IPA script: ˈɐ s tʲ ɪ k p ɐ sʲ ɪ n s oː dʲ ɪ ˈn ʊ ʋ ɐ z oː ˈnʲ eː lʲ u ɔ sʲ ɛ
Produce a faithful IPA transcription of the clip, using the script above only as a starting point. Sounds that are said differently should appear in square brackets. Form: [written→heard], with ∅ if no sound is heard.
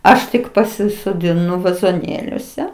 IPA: ˈɐ [s→ʃ] tʲ ɪ k p ɐ sʲ ɪ [n→∅] s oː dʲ ɪ ˈn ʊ ʋ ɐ z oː ˈnʲ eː lʲ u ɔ sʲ ɛ